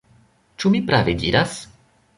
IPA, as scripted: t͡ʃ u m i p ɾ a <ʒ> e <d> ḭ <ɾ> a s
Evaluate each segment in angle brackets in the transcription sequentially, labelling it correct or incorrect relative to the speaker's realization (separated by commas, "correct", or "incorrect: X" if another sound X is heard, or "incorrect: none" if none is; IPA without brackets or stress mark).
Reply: incorrect: v, correct, correct